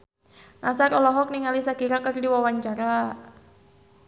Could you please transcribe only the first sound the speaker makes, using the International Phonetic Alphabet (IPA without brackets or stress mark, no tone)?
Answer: n